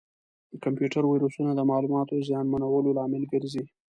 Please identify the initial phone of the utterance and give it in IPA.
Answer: k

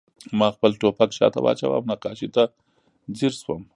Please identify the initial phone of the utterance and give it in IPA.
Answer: m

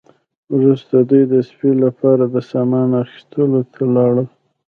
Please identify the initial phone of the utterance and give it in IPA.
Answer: w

